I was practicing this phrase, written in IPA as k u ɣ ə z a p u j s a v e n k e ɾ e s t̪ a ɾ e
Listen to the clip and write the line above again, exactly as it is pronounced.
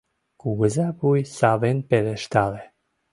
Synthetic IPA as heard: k u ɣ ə z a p u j s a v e n p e l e ʃ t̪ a l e